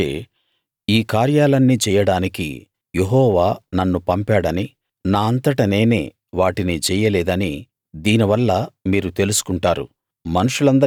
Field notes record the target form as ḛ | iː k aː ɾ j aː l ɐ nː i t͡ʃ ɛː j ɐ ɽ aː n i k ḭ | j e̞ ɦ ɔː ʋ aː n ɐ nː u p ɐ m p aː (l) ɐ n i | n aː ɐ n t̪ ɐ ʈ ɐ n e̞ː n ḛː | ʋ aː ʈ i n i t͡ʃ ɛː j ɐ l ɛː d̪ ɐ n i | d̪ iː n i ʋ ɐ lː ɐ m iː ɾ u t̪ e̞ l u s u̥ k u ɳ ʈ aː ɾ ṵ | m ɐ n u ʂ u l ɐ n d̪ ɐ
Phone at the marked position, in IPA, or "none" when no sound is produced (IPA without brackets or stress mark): ɽ